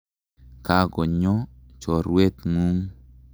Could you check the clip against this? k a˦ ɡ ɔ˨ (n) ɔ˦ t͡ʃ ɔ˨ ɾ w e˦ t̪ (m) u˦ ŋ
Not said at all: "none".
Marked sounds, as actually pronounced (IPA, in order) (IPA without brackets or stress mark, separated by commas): ɲ, ŋ